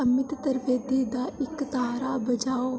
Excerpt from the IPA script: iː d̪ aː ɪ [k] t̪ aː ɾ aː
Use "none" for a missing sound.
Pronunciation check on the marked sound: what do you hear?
k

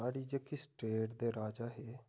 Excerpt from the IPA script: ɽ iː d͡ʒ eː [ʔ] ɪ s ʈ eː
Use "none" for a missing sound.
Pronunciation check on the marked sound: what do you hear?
k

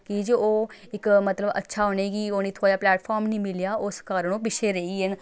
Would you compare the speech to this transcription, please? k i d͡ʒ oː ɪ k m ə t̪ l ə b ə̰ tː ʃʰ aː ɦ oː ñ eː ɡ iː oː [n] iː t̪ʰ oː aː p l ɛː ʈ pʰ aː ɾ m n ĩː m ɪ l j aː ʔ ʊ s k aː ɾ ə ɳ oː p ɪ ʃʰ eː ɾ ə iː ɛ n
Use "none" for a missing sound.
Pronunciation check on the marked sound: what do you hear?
n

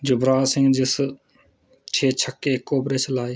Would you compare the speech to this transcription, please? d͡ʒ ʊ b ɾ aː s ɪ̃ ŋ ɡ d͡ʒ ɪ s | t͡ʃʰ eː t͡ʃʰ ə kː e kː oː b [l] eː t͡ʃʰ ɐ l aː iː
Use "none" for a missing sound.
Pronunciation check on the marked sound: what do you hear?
ɾ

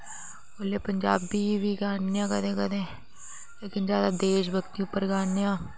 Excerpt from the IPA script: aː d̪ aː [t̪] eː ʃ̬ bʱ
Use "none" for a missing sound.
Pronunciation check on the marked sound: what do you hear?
d̪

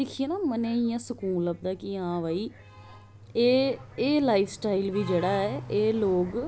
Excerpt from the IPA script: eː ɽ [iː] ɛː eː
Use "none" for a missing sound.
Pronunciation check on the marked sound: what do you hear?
aː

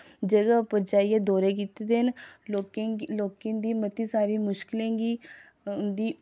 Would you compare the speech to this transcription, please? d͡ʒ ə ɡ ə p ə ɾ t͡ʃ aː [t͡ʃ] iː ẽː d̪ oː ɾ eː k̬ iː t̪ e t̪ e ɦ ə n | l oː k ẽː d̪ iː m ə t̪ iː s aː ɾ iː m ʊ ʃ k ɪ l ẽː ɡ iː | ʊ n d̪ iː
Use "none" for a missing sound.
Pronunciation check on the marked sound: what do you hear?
none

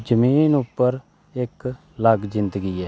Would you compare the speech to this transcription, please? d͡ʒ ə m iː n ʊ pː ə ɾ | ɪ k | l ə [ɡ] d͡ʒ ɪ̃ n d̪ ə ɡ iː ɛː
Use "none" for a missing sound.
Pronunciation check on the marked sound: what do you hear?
ɡ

